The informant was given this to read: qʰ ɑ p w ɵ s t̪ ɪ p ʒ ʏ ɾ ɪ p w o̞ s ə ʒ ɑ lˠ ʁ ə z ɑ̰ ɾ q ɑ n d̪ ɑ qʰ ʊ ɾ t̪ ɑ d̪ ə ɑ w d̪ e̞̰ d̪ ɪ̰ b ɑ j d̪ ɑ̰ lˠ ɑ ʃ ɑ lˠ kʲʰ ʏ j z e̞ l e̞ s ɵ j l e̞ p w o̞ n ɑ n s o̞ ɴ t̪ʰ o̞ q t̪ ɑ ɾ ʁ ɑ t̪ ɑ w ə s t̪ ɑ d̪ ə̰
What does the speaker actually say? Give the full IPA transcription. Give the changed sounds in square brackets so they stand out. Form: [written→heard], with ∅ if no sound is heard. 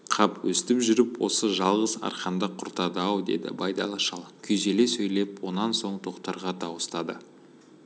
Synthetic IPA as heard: qʰ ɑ p w ɵ s t̪ ɪ p ʒ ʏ ɾ ɪ p w o̞ s ə ʒ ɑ lˠ ʁ ə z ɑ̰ ɾ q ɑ n d̪ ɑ qʰ ʊ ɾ t̪ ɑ d̪ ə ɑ w d̪ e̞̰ d̪ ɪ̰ b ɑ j d̪ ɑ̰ lˠ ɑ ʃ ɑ lˠ kʲʰ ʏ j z e̞ l e̞ s ɵ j l e̞ p w o̞ n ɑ n s o̞ ɴ t̪ʰ o̞ q t̪ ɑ ɾ ʁ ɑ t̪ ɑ w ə s t̪ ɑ d̪ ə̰